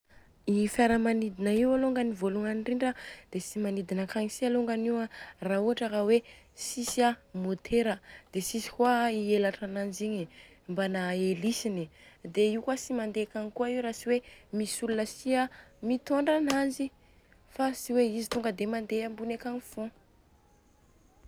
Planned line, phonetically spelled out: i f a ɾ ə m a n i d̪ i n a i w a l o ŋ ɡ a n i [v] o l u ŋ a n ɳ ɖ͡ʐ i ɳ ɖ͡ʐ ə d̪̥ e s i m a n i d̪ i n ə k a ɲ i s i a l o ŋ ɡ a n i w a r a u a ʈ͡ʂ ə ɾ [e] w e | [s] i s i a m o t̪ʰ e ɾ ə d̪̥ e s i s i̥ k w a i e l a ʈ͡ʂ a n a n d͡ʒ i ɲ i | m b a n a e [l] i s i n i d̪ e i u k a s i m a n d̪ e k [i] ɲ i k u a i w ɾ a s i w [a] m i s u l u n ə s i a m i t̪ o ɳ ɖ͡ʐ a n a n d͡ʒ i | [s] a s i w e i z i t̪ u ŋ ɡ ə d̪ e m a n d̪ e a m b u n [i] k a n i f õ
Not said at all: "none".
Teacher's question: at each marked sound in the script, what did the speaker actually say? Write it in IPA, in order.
v, a, s, l, a, e, f, e

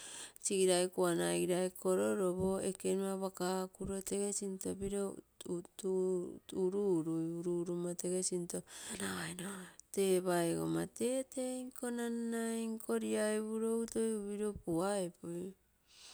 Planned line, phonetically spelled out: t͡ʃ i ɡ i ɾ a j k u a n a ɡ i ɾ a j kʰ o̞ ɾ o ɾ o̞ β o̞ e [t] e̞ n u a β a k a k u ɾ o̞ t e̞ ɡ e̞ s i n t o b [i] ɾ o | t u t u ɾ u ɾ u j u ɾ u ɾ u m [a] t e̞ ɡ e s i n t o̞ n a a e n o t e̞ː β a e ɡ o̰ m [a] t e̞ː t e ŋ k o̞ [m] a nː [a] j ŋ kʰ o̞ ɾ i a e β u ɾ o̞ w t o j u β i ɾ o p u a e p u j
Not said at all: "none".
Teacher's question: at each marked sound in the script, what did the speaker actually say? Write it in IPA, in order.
k, i, a, a, n, a

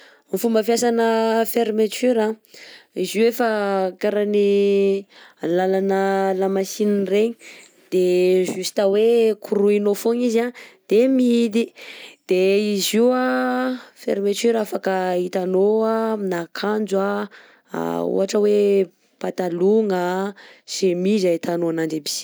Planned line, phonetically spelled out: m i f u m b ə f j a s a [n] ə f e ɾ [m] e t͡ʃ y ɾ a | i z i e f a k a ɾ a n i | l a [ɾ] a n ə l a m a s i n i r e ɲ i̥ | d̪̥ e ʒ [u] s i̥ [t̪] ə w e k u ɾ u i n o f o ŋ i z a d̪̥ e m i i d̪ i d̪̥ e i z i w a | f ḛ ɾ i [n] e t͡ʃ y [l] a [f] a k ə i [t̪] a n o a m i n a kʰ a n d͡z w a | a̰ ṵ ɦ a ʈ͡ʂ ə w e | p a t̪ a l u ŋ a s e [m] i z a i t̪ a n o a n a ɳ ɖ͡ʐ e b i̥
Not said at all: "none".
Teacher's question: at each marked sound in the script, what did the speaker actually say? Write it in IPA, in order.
n, m, l, u, t̪, m, ɾ, f, t̪, m

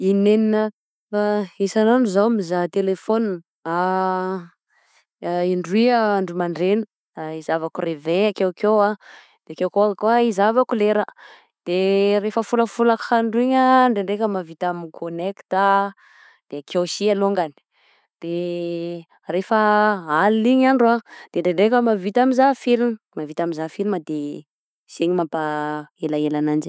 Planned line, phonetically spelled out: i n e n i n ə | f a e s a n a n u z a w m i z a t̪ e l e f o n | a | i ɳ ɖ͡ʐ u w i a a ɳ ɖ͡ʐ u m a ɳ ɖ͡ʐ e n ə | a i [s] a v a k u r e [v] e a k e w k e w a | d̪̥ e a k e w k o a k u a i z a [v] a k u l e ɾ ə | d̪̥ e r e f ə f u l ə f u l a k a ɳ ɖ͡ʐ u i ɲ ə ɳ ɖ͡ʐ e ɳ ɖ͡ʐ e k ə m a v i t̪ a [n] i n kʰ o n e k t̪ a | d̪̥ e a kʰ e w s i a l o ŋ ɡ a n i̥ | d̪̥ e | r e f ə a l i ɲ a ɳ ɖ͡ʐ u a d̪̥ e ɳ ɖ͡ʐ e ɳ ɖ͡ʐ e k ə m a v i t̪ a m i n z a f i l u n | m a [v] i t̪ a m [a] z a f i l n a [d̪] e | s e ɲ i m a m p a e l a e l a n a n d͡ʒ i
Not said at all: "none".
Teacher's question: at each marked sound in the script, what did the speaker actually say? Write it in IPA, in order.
z, v, v, m, v, i, d̪

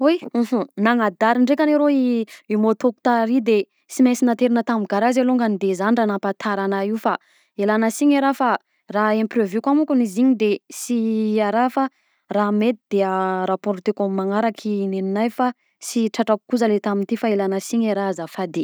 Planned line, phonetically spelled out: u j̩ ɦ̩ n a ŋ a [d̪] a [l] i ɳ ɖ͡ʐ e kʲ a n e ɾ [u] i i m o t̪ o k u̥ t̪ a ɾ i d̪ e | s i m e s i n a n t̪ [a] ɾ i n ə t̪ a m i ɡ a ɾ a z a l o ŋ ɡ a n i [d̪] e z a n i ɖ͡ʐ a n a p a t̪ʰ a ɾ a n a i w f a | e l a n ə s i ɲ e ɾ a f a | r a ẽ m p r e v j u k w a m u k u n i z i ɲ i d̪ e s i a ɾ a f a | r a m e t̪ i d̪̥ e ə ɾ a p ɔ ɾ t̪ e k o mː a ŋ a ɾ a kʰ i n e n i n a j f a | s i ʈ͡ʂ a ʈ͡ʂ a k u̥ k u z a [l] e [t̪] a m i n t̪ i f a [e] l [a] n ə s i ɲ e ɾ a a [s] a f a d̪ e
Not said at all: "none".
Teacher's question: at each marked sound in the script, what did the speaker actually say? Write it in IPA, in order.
d̪, ɾ, o, e, d̪, l, t̪, e, a, z

